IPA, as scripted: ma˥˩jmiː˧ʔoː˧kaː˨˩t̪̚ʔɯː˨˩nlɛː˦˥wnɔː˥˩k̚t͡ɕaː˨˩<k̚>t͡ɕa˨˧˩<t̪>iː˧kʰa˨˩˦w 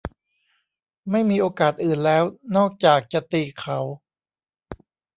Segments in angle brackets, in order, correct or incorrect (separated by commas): correct, correct